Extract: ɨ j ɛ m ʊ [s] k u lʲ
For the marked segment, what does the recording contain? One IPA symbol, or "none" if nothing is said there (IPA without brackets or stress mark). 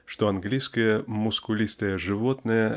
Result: s